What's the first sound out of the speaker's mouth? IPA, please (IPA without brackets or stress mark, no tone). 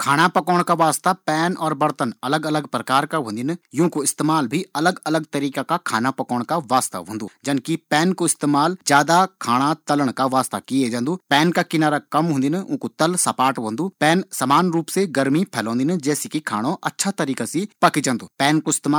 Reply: kʰ